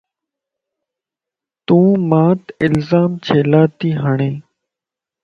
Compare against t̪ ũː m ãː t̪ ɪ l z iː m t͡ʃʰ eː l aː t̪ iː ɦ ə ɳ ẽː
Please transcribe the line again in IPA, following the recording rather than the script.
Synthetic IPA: t̪ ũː m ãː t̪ ɪ l z aː m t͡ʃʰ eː l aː t̪ iː ɦ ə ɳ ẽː

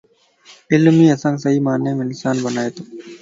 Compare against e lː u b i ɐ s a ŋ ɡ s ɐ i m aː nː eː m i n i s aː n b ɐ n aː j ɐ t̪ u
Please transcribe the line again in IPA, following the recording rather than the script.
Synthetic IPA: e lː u m i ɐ s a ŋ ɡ s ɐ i m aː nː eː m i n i s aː n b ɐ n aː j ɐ t̪ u

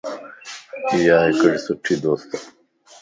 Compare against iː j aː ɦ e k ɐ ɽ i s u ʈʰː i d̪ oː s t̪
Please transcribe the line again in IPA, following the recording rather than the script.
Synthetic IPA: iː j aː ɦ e k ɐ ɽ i s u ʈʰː i d̪ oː s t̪

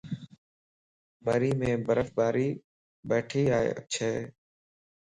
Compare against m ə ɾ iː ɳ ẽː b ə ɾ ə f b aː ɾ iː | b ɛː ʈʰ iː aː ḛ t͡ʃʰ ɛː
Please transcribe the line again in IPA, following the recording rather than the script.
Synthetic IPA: m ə ɾ iː m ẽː b ə ɾ ə f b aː ɾ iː | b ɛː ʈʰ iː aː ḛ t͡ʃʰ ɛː

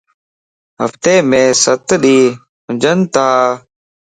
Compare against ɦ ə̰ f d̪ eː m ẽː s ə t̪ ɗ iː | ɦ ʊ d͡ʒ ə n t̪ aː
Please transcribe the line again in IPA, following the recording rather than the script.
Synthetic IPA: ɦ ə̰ f t̪ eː m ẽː s ə t̪ ɗ iː | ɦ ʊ d͡ʒ ə n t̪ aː

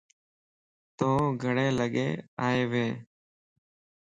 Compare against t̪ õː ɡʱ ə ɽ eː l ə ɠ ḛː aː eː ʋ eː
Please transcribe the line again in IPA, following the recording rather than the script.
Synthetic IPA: t̪ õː ɡʱ ə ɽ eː l ə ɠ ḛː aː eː ʋ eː

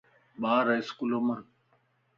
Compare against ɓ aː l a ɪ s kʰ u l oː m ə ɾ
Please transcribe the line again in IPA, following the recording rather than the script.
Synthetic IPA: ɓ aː ɾ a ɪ s k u l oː m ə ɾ

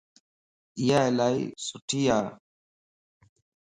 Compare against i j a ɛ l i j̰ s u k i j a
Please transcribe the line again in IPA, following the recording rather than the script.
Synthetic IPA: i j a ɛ l a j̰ s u t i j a

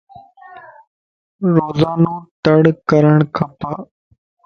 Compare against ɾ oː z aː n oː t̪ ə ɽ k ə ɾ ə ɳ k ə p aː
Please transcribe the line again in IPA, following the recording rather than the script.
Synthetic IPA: ɾ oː z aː n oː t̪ ə ɽ k ə ɾ ə ɳ kʰ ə p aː

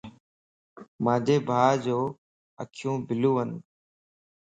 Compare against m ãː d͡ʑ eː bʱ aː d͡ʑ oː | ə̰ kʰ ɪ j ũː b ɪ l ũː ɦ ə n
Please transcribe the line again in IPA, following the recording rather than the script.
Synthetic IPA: m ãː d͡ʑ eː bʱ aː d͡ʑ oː | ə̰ kʰ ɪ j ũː b ɪ l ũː ɦ ə n

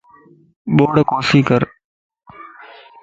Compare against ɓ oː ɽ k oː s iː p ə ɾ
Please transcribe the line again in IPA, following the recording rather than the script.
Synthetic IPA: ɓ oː ɽ k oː s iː k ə ɾ

